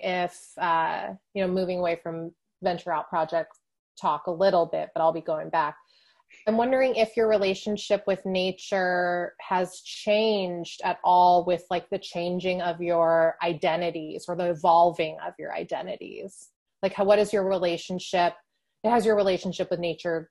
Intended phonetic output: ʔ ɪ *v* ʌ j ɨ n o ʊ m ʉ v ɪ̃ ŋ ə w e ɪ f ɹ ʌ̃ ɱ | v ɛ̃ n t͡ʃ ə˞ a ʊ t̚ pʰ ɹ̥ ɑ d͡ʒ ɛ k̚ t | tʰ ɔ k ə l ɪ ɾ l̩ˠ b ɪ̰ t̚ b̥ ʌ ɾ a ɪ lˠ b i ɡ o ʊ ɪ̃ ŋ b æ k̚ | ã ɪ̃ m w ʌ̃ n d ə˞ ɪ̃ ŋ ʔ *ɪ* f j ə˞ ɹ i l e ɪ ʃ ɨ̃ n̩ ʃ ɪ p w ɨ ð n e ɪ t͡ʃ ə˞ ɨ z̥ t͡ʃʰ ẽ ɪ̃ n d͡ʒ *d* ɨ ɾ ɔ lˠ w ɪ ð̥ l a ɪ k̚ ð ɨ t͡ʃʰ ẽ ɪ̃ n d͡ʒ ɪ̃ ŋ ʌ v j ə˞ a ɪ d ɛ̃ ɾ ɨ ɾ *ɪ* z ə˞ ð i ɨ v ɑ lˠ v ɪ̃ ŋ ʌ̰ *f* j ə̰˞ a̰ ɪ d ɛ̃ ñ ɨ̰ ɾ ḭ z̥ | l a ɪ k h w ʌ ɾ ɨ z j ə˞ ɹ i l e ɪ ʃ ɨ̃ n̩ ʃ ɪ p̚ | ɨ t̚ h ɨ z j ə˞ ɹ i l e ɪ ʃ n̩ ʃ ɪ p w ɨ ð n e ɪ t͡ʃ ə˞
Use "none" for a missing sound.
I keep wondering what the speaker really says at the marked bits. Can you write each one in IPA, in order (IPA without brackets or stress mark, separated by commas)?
f, ɪ, d, i, v